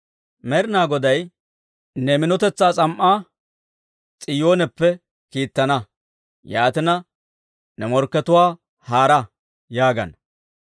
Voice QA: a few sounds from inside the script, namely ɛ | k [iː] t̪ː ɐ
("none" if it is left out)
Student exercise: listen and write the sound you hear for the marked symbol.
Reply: iː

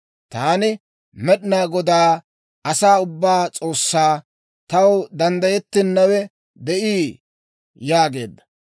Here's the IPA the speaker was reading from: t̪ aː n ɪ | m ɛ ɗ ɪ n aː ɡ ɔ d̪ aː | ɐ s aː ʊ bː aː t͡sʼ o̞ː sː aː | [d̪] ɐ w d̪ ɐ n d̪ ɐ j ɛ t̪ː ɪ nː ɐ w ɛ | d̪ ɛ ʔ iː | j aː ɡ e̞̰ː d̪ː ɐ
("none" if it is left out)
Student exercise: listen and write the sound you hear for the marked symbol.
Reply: t̪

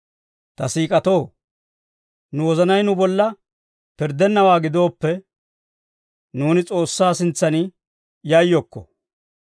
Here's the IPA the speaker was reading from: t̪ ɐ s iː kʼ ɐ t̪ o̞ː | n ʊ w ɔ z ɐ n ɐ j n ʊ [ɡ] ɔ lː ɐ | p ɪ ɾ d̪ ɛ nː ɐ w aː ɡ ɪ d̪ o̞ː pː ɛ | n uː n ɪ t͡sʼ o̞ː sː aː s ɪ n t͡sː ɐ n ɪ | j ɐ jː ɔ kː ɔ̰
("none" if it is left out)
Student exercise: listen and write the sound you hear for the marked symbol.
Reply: b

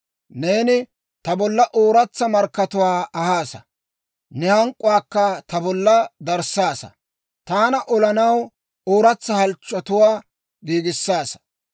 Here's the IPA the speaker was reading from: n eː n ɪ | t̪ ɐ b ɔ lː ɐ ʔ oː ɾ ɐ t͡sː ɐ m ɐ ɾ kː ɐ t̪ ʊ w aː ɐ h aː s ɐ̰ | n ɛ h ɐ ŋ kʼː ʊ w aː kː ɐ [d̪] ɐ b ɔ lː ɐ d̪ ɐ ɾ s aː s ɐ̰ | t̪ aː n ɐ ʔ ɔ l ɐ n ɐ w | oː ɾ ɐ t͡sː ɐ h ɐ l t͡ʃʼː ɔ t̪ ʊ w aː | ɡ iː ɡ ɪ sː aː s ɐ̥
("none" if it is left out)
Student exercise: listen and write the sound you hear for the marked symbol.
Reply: t̪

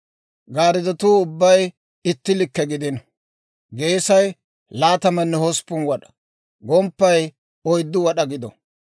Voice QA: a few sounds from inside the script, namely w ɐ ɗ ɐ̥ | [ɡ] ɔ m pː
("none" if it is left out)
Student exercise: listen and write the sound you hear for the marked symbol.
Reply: ɡ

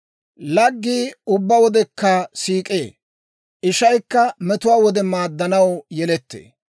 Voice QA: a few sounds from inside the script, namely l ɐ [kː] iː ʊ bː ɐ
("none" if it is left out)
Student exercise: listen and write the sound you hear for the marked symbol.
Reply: ɡː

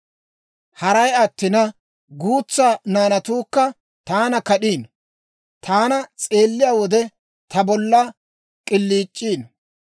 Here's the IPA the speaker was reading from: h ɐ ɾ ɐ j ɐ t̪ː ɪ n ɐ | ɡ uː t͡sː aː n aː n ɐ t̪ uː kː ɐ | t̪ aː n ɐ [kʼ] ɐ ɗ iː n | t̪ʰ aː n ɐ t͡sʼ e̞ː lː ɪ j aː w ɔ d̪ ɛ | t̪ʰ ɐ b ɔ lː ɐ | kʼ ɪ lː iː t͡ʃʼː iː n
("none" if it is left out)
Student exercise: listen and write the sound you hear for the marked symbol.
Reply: k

